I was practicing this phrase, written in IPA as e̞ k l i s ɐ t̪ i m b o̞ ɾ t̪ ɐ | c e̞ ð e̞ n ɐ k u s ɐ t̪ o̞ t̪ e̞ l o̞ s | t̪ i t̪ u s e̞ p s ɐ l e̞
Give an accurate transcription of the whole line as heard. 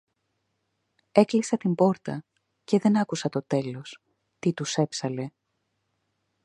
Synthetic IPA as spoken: e̞ k l i s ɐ t̪ i m b o̞ ɾ t̪ ɐ | c e̞ ð e̞ n ɐ k u s ɐ t̪ o̞ t̪ e̞ l o̞ s | t̪ i t̪ u s e̞ p s ɐ l e̞